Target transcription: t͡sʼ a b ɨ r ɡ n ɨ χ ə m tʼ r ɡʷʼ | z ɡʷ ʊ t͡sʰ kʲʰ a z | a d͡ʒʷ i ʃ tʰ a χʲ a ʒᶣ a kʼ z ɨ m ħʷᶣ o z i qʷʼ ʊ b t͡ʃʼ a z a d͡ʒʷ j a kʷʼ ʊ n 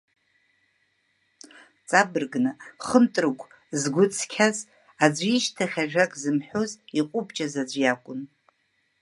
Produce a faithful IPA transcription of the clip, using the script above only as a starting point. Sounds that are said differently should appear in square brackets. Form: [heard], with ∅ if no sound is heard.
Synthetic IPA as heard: t͡sʼ a b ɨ r ɡ n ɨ χ ə m tʼ r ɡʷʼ | z ɡʷ ʊ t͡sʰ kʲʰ a z | a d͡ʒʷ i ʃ tʰ a χʲ a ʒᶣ a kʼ z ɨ m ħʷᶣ o z i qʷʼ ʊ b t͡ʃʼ a z a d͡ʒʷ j a kʷʼ ʊ n